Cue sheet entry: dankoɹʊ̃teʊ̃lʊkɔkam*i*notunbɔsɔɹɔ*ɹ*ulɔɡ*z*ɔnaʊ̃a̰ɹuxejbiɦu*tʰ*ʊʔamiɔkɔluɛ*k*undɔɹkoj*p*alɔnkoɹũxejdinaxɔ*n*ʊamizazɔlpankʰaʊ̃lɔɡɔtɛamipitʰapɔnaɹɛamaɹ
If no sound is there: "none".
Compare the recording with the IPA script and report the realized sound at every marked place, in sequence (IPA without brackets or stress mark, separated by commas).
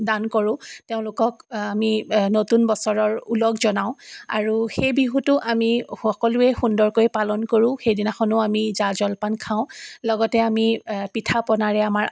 i, ɹ, z, t, x, p, n